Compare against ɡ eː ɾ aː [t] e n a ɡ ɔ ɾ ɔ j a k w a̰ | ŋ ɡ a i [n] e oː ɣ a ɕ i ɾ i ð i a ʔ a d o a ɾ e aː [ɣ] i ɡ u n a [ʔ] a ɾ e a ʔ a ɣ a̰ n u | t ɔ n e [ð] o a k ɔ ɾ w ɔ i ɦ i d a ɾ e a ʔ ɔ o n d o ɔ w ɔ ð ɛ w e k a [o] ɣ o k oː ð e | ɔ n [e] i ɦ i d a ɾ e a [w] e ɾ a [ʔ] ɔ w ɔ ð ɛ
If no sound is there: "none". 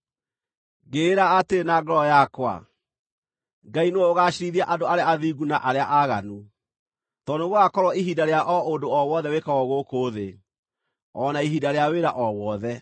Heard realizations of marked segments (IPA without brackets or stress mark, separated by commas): t, n, ð, ʔ, ɣ, ɔ, a, w, ʔ